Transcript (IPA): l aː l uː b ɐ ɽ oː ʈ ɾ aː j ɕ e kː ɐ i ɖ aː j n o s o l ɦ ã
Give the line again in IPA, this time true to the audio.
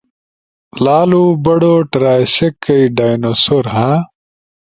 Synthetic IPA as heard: l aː l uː b ɐ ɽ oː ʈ ɾ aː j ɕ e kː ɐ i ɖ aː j n o s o ɾ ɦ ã